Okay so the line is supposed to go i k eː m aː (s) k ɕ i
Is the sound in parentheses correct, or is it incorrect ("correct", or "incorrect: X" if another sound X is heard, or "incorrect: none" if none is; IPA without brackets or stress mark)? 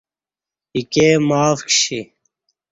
incorrect: f